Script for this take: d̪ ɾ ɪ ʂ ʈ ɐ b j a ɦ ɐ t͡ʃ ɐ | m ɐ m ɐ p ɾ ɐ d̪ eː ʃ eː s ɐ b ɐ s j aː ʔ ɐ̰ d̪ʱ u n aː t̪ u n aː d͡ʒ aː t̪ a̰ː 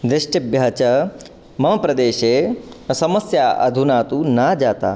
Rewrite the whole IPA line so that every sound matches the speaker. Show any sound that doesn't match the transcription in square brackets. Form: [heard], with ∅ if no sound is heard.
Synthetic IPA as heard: d̪ ɾ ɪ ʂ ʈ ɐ b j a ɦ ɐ t͡ʃ ɐ | m ɐ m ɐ p ɾ ɐ d̪ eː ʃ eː s ɐ [m] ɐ s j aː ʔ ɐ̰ d̪ʱ u n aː t̪ u n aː d͡ʒ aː t̪ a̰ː